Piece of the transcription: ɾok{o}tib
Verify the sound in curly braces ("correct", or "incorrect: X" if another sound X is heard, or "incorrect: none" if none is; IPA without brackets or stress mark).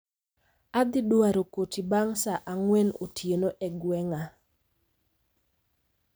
correct